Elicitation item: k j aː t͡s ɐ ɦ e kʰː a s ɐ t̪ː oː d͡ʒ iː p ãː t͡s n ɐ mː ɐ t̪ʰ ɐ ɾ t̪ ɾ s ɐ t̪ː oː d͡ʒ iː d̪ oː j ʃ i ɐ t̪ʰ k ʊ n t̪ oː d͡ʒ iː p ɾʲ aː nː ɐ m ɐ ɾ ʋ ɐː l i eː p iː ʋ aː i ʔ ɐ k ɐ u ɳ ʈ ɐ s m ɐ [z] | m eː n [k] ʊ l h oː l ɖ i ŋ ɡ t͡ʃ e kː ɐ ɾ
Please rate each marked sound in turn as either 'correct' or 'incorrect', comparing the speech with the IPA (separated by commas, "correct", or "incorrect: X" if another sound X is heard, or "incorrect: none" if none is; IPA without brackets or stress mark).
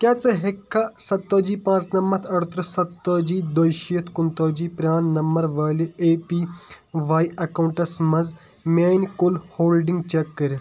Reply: correct, correct